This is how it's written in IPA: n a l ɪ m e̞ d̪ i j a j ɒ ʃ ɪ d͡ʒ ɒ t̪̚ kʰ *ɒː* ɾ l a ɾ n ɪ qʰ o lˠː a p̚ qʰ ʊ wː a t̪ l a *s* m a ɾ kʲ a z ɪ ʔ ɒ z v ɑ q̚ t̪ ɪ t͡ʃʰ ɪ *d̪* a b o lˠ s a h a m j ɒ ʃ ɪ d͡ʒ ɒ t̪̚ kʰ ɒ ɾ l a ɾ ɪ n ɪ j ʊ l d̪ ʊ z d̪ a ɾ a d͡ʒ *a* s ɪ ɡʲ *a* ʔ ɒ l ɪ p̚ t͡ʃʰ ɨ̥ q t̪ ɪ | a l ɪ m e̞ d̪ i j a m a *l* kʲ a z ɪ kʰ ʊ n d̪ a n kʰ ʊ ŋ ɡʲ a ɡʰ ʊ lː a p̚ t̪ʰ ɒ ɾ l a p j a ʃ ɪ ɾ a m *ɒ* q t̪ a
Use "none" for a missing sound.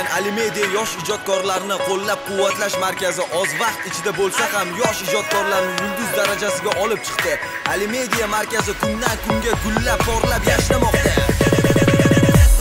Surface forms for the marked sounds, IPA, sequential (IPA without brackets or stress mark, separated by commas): ɒ, ʃ, d̪, a, a, ɾ, ɒ